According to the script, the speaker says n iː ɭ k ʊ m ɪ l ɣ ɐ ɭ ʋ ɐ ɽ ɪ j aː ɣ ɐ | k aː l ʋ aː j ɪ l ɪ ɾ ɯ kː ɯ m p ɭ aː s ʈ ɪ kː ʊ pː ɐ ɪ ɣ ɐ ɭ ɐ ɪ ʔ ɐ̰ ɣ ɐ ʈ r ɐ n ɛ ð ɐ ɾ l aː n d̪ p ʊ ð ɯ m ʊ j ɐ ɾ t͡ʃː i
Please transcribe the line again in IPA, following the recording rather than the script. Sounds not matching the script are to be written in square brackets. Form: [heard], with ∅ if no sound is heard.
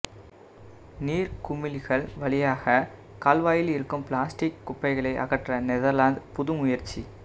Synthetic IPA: n iː [ɾ] k ʊ m ɪ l ɣ ɐ ɭ ʋ ɐ [ɭ] ɪ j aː ɣ ɐ | k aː l ʋ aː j ɪ l ɪ ɾ ɯ kː ɯ m p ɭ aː s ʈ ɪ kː ʊ pː ɐ ɪ ɣ ɐ ɭ ɐ ɪ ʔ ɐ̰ ɣ ɐ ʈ r ɐ n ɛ ð ɐ ɾ l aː n d̪ p ʊ ð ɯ m ʊ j ɐ ɾ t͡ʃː i